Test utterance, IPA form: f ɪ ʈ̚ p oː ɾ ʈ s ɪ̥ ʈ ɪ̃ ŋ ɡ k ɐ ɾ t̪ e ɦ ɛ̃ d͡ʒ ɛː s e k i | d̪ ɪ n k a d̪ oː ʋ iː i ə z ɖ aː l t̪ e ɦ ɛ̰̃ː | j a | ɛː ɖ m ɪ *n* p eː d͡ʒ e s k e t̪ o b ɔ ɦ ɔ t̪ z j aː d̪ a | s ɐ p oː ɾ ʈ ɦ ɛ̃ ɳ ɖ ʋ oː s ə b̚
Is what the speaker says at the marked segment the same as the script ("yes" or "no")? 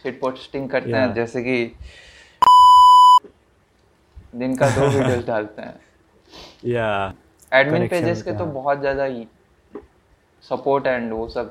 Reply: yes